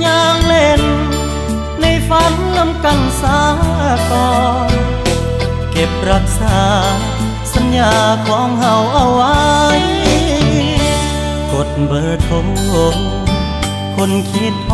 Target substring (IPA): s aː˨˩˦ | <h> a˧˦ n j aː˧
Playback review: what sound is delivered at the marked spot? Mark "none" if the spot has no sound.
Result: s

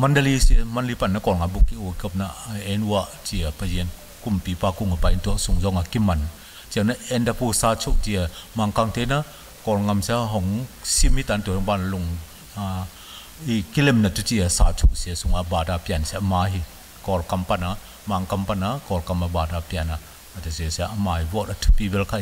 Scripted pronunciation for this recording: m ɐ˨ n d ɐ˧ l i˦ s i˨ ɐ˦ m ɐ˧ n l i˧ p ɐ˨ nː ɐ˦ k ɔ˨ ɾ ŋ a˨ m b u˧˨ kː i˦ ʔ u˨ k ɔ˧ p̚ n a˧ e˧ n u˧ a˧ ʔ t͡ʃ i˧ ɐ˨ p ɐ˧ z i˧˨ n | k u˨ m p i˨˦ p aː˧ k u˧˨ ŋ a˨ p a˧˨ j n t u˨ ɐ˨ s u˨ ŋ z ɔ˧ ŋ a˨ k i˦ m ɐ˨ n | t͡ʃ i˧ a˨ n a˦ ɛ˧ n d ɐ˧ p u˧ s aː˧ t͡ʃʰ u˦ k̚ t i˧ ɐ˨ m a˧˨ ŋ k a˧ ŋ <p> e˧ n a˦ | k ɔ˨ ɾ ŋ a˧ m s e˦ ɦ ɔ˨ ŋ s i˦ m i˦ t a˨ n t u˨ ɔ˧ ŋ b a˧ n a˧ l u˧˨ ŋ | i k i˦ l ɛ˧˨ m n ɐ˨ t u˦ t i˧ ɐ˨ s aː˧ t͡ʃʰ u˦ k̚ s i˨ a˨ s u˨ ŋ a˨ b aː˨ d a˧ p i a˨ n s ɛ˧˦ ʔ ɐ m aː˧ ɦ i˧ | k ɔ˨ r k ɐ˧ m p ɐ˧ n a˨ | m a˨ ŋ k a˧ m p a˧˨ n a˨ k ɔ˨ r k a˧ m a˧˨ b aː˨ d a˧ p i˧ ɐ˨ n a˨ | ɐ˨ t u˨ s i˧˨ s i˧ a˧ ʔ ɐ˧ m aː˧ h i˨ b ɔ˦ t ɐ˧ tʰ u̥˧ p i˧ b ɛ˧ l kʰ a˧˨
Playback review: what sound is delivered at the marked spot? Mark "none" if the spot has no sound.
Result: t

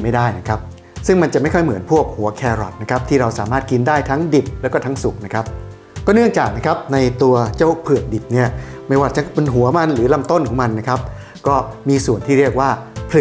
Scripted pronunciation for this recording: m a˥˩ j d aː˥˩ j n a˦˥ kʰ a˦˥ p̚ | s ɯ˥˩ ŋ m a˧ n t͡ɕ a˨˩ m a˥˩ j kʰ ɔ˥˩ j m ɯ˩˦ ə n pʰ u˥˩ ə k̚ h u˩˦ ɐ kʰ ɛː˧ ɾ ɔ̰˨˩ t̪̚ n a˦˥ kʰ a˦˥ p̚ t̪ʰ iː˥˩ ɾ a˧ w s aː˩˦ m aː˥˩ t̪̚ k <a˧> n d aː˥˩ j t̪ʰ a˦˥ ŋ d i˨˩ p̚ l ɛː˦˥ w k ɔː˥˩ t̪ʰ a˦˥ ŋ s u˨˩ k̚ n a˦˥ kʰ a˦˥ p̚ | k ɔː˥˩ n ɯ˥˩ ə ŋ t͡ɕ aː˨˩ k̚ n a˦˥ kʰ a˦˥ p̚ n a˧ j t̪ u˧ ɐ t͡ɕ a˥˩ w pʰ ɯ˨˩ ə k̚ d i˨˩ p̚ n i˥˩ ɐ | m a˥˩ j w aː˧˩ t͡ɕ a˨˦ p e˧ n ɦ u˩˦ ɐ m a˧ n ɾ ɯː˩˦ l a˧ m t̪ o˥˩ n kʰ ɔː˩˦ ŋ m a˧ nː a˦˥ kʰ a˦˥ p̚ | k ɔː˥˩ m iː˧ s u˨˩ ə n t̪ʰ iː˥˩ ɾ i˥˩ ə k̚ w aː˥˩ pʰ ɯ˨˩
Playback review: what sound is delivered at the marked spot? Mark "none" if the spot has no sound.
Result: i˧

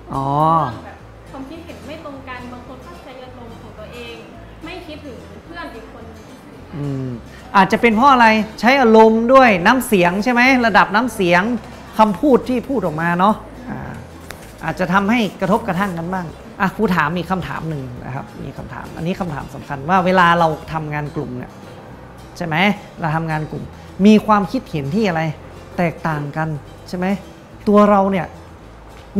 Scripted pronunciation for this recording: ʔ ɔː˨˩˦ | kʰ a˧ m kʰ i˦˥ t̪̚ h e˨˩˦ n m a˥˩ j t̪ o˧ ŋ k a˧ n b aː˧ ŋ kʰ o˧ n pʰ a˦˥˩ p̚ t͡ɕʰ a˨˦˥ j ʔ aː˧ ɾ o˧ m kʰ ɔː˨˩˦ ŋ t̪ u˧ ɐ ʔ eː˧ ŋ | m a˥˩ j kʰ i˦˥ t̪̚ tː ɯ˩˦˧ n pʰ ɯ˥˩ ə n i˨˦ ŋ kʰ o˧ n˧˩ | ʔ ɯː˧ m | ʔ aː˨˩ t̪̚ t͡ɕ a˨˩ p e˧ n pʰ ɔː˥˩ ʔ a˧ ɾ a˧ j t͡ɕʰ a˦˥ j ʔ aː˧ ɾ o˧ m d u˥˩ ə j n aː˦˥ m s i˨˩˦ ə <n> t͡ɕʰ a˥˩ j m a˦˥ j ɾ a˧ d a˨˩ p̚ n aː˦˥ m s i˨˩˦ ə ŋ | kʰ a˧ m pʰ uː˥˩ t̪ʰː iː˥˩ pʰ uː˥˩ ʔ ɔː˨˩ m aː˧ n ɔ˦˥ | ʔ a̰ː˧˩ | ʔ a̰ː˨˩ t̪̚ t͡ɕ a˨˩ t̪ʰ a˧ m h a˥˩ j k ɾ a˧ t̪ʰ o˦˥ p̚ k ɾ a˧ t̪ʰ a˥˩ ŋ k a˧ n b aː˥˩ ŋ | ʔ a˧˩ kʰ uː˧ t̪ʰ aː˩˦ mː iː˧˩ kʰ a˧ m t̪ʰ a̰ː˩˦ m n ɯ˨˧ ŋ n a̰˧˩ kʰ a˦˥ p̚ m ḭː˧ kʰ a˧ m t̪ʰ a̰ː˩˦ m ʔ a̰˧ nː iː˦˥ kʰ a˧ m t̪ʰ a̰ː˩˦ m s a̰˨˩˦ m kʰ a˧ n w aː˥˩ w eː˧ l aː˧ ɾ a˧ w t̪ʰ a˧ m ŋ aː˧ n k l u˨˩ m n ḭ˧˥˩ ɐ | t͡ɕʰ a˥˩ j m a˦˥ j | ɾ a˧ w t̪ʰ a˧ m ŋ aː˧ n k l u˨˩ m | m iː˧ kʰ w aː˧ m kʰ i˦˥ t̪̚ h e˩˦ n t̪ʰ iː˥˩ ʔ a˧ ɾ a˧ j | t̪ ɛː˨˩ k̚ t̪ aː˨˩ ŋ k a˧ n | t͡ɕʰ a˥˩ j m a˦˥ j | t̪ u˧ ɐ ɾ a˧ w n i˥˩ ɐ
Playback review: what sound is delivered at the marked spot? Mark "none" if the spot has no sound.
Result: ŋ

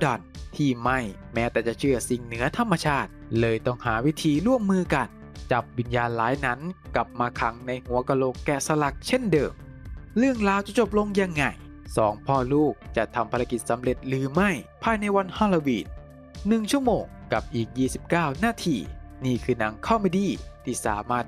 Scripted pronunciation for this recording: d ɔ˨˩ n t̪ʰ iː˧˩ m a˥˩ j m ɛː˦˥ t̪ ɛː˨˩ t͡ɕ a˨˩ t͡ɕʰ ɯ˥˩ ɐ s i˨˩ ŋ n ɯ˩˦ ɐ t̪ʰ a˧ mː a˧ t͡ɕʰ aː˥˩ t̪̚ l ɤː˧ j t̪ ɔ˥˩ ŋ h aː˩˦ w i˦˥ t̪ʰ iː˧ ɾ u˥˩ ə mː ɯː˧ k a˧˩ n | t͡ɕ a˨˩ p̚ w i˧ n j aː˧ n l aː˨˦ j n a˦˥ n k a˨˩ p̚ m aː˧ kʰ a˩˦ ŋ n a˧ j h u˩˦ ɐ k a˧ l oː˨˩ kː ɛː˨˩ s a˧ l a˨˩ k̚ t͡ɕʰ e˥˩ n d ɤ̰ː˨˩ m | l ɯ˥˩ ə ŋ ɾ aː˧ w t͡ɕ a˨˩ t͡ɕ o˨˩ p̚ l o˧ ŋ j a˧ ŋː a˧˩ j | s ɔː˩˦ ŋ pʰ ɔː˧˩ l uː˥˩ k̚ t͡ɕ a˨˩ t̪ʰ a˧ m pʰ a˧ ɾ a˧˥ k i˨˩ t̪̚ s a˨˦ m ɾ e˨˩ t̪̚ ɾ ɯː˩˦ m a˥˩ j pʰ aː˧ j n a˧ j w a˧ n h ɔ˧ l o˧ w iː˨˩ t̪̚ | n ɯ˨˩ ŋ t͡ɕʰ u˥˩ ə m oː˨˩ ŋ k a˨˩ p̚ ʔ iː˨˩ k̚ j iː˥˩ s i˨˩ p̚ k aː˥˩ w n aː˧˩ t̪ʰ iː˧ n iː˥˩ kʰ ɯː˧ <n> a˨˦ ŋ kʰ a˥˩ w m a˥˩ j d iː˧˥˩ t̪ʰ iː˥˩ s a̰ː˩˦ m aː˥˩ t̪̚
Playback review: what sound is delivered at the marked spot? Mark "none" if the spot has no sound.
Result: n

